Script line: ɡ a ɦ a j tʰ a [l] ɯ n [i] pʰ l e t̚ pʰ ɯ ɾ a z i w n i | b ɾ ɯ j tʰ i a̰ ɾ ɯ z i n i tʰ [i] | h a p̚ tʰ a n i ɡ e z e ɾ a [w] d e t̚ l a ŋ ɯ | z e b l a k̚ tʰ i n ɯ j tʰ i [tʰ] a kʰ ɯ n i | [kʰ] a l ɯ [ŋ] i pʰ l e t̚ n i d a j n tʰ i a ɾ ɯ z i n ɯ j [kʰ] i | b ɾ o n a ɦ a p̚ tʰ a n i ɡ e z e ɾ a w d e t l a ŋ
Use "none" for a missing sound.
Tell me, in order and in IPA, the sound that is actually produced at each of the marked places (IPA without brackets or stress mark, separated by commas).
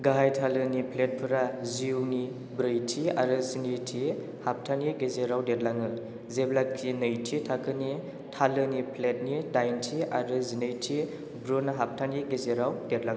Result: l, i, i, w, tʰ, tʰ, n, tʰ